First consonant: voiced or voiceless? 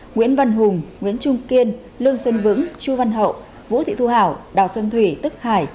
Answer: voiced